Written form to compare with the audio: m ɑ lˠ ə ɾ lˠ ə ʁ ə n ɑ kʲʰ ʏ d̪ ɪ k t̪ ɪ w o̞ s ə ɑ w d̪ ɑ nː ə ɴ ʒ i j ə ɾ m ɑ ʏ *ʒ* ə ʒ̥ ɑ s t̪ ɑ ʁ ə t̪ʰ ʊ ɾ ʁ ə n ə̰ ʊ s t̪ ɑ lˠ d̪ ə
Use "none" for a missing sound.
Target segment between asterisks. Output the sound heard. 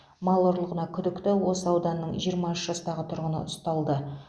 ʃ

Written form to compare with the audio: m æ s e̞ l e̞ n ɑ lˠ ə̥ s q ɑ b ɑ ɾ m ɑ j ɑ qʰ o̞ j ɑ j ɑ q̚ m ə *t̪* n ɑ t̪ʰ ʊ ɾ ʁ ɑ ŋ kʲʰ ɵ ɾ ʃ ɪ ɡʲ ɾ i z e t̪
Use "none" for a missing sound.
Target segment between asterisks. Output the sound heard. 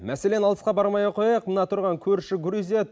none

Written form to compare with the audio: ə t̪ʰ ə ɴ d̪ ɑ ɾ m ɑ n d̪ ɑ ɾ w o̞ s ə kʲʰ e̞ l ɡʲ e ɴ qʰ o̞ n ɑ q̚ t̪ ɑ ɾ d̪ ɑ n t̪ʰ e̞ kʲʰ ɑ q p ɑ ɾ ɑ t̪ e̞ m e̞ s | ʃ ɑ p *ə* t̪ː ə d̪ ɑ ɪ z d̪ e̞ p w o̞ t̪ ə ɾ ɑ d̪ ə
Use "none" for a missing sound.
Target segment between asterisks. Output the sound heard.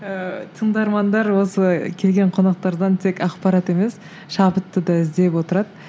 ə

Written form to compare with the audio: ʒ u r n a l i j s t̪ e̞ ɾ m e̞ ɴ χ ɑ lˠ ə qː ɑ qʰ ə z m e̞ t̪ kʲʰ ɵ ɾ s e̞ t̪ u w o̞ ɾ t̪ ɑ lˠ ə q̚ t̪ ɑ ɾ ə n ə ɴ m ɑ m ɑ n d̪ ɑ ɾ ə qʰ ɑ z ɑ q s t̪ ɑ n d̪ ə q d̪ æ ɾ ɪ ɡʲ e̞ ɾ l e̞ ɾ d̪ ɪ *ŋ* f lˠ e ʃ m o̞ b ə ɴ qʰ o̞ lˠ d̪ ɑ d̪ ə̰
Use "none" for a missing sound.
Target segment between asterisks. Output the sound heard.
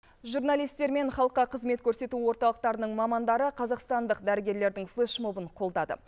ŋ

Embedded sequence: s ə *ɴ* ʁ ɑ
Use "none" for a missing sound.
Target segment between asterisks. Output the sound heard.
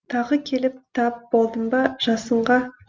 ɴ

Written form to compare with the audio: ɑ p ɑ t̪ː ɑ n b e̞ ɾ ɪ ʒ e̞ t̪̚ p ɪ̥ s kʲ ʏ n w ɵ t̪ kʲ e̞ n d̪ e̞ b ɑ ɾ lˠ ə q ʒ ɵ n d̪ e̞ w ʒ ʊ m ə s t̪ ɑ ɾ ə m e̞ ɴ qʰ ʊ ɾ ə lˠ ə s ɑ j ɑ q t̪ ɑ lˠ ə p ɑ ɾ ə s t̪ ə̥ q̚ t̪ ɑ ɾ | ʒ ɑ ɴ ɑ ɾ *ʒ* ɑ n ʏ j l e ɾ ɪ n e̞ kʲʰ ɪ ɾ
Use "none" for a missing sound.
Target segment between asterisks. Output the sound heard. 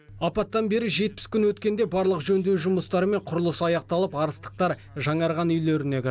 ʁ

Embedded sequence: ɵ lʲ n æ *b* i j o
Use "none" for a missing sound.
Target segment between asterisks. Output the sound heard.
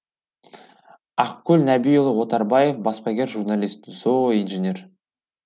b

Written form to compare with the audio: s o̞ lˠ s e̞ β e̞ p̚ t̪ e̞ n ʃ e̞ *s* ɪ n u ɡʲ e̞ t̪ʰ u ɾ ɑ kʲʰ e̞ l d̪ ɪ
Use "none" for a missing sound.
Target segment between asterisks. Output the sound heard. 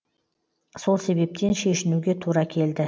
ʃ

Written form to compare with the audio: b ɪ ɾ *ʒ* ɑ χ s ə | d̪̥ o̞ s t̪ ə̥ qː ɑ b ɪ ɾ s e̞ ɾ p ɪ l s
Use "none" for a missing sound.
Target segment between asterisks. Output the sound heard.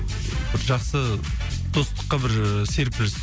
ʒ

